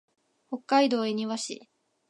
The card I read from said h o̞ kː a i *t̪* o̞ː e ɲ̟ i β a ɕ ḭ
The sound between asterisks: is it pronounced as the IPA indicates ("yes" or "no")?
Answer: no